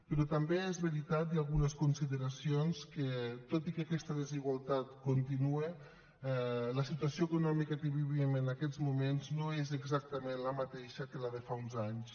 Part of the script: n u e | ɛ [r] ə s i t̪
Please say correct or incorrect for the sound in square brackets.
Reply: incorrect: l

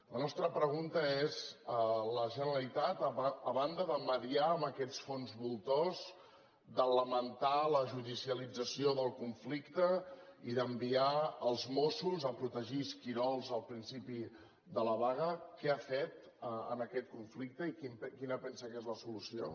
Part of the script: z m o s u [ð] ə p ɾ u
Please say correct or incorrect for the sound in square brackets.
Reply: incorrect: z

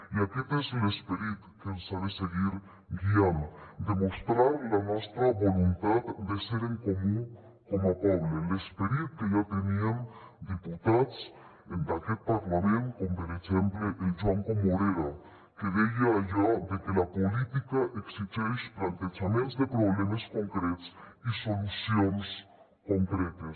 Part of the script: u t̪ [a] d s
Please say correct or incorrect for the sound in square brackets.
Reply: correct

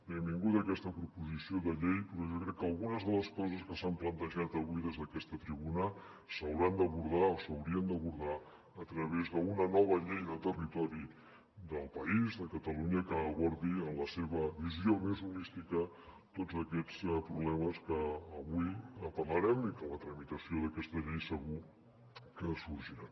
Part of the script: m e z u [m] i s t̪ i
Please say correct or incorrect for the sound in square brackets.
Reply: incorrect: n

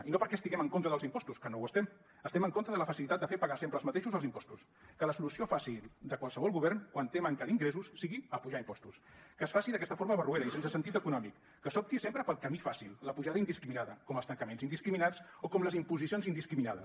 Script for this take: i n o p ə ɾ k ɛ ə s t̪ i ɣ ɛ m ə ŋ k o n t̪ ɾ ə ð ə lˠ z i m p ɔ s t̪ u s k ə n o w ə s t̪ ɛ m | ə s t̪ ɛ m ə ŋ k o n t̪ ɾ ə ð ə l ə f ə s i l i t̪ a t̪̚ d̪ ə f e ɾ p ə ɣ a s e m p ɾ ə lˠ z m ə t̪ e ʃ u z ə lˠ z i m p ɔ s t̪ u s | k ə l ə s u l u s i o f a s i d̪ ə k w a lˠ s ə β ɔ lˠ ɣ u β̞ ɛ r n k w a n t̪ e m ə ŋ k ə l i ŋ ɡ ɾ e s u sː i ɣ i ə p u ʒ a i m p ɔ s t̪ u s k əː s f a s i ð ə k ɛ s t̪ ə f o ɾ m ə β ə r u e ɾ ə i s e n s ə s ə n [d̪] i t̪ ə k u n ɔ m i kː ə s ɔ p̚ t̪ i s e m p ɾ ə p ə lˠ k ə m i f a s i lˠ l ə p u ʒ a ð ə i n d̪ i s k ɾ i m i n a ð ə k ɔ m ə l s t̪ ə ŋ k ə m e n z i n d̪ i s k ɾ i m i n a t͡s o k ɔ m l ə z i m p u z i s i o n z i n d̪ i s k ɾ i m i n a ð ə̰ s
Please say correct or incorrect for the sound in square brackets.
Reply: incorrect: t̪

